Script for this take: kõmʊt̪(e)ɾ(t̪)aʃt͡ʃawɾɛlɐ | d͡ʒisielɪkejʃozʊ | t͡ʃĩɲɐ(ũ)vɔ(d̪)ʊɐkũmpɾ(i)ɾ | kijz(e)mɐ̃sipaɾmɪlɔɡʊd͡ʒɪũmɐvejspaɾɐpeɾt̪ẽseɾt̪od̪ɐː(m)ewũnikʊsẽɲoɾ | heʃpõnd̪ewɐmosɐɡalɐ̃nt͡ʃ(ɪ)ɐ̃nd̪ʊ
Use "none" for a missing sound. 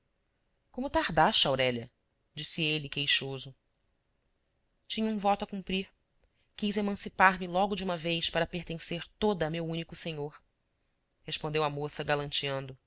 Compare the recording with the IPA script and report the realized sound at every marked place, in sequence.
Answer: a, d̪, ũ, t̪, i, e, m, i

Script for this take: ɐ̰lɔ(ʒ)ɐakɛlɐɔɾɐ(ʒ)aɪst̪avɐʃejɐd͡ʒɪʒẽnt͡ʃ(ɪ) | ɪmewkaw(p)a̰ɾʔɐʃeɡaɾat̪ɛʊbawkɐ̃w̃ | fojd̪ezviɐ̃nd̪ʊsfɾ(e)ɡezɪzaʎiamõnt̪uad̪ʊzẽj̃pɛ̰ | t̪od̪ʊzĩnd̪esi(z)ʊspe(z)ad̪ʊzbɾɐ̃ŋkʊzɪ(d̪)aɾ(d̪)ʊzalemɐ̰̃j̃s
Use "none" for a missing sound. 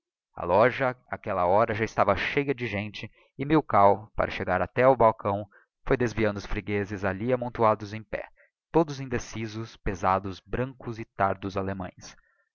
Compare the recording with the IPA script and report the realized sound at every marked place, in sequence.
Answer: ʒ, ʒ, ɪ, p, i, z, z, t̪, d̪

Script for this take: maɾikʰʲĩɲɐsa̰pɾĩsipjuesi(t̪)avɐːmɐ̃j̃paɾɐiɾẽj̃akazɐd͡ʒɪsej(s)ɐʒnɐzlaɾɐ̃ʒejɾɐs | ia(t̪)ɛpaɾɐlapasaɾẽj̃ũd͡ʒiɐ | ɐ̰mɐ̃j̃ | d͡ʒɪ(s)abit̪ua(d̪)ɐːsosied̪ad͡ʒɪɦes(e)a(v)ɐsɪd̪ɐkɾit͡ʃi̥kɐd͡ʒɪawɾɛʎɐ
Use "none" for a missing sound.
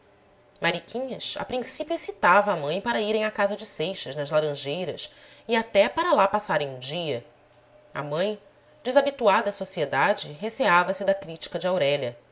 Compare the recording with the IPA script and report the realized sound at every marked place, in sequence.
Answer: t̪, ʃ, t̪, z, d̪, e, v

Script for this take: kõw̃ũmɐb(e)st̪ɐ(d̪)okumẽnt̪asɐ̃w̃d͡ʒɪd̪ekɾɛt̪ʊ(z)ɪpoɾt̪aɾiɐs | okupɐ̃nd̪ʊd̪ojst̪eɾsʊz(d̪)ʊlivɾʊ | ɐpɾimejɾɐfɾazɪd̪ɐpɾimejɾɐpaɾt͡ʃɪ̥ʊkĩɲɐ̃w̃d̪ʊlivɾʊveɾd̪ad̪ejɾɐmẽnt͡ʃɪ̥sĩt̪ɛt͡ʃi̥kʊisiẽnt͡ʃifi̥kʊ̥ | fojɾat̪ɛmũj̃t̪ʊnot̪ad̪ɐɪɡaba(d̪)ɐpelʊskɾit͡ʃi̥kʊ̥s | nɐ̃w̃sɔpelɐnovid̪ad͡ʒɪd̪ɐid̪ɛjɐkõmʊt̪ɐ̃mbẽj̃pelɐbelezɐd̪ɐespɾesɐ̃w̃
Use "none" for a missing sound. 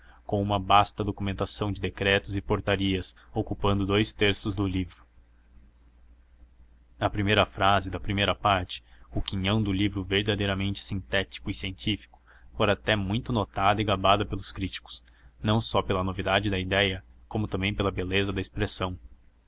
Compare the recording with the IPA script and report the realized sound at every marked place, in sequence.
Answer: a, d̪, z, d̪, d̪

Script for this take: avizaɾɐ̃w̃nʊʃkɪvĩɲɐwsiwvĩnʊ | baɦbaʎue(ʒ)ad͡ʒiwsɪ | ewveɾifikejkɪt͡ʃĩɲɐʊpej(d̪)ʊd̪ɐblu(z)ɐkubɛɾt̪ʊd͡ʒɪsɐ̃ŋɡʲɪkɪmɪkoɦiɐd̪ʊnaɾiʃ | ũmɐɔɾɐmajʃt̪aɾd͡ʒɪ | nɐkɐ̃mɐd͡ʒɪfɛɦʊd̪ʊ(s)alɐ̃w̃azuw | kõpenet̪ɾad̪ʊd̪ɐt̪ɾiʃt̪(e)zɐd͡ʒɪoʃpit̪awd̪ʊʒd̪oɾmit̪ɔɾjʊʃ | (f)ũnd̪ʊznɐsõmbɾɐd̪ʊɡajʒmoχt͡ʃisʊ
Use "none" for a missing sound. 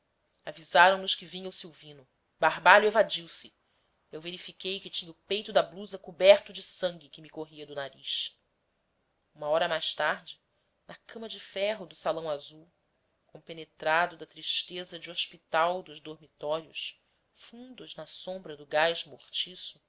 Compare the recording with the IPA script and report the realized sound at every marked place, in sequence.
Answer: v, t̪, z, s, e, f

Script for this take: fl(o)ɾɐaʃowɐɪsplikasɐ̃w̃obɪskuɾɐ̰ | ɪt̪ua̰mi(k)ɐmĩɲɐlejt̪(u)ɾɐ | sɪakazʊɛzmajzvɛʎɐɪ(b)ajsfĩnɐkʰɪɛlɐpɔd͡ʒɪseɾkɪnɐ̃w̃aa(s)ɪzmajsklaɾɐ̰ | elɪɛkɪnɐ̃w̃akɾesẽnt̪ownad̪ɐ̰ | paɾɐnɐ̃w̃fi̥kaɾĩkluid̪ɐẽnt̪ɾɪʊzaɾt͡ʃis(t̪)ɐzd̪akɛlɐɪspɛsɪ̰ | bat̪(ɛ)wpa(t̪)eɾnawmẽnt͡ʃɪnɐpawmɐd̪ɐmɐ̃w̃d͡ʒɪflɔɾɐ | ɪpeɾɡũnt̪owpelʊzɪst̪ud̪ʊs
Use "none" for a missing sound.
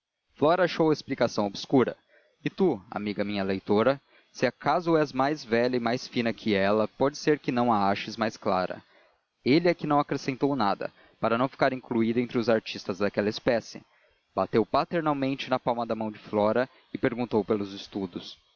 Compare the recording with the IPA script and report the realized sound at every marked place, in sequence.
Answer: ɔ, ɡ, o, m, ʃ, t̪, e, t̪

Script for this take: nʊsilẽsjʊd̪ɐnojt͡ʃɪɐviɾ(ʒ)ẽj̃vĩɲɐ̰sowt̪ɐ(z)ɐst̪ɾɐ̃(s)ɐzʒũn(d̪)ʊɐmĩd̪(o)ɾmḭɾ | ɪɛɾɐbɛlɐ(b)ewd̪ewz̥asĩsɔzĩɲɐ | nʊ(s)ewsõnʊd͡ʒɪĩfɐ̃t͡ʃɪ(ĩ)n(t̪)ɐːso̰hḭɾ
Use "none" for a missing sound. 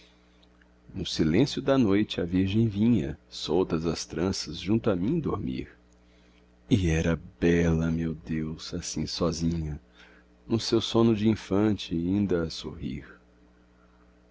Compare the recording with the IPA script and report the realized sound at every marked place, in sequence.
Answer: ʒ, z, s, t̪, o, m, s, ĩ, d̪

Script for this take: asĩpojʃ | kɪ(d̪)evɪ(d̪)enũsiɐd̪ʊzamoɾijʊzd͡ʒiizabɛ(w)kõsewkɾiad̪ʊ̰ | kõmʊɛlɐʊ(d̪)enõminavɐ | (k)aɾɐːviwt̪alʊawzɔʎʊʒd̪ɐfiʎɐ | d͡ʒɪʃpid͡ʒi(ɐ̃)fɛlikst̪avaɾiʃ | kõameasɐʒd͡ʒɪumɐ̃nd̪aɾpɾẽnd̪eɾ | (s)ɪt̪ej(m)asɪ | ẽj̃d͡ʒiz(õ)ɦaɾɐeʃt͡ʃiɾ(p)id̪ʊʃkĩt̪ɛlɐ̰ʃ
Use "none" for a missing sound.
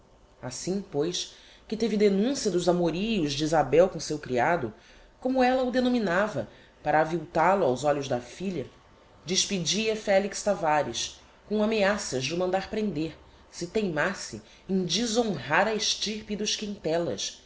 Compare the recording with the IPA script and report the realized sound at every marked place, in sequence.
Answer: t̪, d̪, w, d̪, p, ɐ, s, m, õ, p

